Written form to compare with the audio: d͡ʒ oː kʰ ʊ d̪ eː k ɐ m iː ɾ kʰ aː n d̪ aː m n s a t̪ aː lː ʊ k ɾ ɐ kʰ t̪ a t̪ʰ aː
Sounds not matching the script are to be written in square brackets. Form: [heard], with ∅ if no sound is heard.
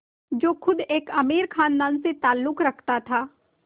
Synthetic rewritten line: d͡ʒ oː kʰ ʊ d̪ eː k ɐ m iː ɾ kʰ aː n d̪ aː [∅] n s [e] t̪ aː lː ʊ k ɾ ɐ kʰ t̪ a t̪ʰ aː